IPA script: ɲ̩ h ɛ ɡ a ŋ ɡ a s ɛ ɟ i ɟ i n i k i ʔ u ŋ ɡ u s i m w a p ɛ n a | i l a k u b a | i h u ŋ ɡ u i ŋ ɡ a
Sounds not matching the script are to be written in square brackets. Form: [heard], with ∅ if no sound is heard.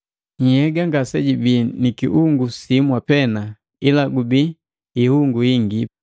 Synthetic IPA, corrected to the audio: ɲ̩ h ɛ ɡ a ŋ ɡ a s ɛ ɟ i [b] i n i k i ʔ u ŋ ɡ u s i m w a p ɛ n a | i l a [ɡ] u b [i] | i h u ŋ ɡ u i ŋ ɡ [i]